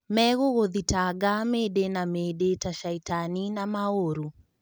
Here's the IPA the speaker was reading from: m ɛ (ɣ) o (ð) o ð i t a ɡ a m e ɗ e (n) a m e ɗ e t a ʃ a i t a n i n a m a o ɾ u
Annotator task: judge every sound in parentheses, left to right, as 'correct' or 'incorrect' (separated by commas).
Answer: correct, incorrect, correct